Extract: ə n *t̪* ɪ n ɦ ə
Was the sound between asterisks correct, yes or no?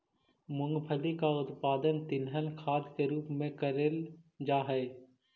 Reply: yes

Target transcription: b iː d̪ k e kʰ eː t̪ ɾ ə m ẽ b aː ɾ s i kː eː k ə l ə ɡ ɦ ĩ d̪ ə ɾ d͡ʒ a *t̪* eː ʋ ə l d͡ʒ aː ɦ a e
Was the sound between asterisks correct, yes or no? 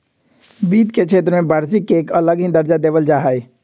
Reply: no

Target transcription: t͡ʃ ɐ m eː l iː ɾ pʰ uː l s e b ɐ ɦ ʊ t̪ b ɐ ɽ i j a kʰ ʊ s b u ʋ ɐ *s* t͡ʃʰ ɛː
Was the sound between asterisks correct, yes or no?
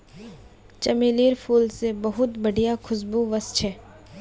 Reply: yes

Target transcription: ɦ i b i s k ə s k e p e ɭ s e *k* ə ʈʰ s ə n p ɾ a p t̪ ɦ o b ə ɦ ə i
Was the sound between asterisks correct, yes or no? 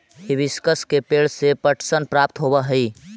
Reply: no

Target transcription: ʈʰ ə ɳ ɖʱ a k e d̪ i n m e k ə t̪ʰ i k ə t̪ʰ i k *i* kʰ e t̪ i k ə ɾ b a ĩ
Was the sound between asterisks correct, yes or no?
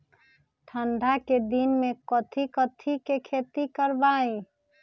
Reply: no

